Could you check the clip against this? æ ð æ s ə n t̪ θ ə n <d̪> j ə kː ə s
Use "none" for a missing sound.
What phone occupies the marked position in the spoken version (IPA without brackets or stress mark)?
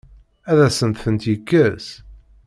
t̪